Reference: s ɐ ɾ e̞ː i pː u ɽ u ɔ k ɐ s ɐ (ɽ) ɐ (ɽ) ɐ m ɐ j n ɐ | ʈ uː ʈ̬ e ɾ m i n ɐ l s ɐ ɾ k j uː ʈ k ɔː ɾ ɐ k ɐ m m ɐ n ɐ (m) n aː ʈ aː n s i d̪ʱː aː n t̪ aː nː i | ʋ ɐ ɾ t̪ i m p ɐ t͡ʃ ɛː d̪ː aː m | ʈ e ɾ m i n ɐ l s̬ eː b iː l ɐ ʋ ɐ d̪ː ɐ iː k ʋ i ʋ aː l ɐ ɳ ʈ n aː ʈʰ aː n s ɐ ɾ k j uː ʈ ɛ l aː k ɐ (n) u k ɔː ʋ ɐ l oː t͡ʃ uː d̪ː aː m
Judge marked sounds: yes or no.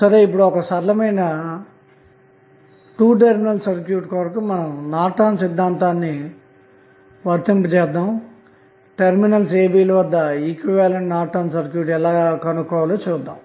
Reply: no, no, yes, yes

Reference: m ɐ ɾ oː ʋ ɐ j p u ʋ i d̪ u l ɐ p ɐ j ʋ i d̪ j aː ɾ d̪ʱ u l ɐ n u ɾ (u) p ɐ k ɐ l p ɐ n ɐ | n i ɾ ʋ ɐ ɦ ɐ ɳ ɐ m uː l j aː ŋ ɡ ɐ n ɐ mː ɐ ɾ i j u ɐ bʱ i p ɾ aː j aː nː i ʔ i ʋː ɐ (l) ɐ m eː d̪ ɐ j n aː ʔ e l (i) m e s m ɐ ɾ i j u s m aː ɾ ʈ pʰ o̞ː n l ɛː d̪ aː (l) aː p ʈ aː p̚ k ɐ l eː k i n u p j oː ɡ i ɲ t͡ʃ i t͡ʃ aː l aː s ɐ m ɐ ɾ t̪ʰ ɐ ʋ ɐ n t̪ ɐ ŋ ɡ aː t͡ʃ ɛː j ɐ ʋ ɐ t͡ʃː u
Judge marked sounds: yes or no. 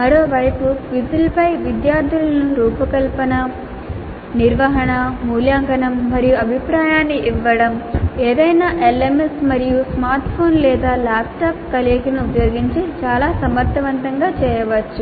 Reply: no, no, no, yes

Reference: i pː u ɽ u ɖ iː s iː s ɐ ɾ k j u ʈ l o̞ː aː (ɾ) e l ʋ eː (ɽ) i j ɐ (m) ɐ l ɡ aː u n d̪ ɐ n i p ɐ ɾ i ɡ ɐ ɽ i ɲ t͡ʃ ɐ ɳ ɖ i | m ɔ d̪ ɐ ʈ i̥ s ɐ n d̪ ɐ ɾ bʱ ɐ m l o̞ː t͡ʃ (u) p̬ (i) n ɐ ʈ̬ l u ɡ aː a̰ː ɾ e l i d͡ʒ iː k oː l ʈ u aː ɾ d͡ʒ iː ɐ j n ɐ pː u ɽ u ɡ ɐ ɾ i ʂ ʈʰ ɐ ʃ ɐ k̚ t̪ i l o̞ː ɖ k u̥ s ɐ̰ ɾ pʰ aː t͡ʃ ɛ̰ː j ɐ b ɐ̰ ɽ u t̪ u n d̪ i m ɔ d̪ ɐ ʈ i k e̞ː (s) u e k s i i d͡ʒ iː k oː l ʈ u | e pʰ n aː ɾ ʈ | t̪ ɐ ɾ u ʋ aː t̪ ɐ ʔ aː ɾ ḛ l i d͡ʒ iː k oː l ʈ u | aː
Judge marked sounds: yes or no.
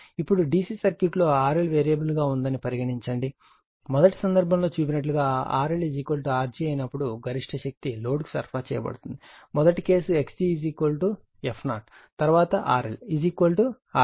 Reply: yes, no, no, no, yes, yes

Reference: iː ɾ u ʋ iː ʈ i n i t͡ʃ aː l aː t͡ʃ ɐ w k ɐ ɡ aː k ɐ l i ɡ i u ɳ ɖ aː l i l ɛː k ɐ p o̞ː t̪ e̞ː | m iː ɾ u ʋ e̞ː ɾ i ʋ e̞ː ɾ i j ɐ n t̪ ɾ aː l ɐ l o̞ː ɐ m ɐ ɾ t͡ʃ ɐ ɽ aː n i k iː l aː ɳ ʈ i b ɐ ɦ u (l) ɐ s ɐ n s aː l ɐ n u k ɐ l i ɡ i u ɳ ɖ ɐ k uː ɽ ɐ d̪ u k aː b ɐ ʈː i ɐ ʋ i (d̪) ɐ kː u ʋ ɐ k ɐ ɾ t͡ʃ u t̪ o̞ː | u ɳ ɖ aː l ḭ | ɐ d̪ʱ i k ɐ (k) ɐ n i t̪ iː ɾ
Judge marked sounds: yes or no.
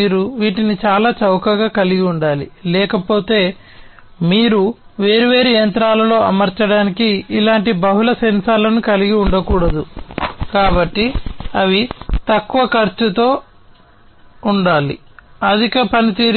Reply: yes, no, no

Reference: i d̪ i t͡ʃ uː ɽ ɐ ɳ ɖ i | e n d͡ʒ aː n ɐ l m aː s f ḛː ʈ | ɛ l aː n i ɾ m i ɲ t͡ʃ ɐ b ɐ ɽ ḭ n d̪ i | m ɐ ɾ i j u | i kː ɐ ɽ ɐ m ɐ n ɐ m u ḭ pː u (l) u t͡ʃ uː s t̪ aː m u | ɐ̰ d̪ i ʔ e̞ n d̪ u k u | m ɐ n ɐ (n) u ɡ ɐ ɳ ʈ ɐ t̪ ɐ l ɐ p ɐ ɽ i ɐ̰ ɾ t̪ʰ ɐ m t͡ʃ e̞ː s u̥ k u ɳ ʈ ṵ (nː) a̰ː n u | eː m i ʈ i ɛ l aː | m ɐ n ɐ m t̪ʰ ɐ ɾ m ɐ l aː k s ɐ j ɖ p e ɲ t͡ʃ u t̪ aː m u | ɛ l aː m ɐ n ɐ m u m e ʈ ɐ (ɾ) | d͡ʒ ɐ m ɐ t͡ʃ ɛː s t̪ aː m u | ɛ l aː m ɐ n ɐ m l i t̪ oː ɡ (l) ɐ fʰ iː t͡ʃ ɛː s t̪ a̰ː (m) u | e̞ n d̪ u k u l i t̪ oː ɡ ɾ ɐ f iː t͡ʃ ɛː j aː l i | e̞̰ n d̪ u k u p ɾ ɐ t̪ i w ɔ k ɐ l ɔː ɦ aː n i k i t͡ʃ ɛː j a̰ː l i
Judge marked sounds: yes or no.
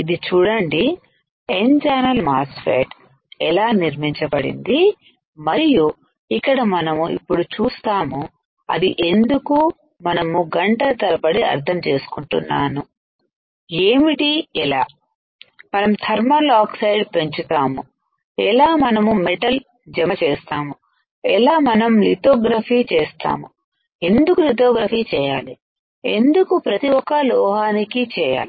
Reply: no, no, yes, no, no, yes

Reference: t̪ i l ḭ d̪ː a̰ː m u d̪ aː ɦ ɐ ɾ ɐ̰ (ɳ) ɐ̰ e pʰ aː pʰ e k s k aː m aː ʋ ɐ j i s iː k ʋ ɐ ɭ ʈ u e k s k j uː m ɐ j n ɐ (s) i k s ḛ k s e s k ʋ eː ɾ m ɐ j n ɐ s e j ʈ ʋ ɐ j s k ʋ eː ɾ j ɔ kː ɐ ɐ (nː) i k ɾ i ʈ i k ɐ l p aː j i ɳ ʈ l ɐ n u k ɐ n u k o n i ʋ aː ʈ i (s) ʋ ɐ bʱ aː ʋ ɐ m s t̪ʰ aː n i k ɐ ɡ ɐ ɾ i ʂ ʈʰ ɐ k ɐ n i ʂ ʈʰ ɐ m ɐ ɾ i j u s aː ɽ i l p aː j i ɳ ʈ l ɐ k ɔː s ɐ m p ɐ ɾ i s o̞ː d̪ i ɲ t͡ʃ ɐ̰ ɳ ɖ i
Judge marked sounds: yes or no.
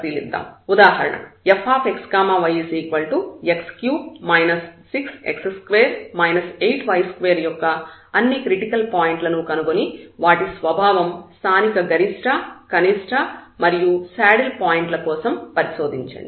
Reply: yes, no, yes, yes

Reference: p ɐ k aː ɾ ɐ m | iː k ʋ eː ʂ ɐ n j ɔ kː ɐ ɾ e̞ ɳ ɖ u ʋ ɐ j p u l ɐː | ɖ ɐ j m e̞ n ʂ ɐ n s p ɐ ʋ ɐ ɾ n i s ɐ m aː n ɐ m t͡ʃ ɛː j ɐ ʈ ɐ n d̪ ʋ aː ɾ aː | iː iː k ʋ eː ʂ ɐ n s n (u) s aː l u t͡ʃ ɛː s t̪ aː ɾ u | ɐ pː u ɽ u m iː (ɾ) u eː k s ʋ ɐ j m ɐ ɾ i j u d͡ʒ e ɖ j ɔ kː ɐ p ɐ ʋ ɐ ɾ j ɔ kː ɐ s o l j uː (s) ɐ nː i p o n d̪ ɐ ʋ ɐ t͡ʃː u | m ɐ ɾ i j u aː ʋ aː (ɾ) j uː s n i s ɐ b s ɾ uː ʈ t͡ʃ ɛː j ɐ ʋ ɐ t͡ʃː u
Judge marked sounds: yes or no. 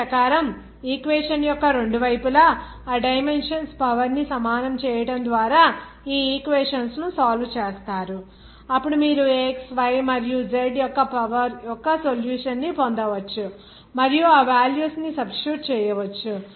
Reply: yes, yes, no, no

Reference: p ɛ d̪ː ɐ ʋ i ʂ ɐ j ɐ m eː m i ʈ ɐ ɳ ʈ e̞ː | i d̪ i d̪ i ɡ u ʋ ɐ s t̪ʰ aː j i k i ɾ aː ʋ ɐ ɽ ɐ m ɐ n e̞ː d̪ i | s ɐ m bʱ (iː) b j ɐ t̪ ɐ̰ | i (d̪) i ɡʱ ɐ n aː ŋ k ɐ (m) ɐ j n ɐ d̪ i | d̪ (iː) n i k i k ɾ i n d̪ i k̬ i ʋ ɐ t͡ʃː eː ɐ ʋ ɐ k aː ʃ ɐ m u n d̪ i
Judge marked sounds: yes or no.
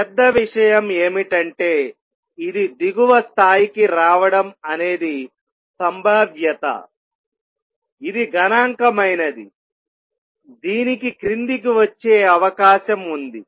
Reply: no, yes, yes, yes

